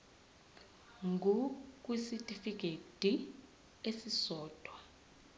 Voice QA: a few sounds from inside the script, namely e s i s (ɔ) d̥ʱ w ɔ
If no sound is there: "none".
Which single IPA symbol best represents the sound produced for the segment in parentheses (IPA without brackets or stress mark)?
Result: ɔː